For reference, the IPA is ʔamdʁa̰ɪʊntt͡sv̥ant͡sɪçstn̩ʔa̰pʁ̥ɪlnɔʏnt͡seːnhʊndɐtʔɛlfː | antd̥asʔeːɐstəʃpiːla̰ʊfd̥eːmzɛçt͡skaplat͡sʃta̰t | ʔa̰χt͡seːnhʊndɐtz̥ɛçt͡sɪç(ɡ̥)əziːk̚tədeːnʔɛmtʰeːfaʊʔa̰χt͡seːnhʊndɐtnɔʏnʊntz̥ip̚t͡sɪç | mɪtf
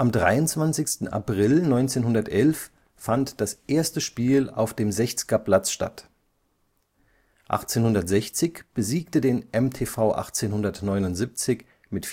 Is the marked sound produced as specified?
no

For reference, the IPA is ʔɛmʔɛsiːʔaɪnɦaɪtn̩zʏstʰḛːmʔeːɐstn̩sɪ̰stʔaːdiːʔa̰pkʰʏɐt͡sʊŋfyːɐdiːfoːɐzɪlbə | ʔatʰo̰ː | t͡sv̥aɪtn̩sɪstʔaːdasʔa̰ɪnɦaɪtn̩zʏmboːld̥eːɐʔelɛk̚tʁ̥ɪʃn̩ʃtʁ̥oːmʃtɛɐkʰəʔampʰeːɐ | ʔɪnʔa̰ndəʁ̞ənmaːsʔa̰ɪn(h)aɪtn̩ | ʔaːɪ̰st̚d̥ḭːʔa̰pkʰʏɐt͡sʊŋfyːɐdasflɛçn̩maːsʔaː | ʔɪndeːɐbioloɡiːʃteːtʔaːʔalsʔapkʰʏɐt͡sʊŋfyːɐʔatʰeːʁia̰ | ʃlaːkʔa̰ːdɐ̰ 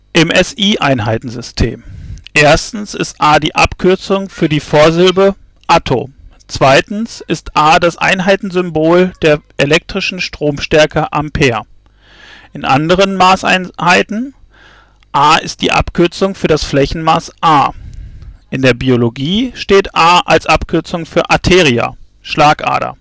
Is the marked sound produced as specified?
yes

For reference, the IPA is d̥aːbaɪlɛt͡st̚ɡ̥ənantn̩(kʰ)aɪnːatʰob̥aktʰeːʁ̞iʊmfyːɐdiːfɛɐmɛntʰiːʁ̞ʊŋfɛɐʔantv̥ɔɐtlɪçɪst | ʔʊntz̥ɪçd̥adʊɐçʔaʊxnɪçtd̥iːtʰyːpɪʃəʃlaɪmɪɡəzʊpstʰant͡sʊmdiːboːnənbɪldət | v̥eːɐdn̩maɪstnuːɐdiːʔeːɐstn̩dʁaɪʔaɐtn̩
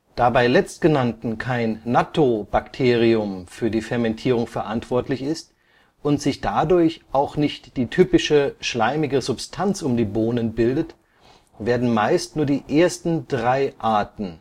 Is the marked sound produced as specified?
yes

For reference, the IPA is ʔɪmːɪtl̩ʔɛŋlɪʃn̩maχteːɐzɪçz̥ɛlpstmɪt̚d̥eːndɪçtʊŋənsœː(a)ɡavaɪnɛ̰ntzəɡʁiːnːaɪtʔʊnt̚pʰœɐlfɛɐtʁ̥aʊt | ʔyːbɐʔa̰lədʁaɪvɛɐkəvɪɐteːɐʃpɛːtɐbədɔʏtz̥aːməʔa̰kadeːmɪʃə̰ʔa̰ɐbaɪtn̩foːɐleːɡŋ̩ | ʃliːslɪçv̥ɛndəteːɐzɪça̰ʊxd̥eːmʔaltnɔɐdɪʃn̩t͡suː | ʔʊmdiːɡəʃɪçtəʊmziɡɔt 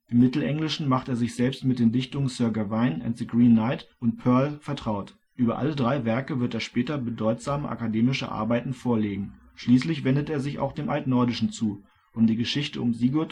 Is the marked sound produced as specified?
no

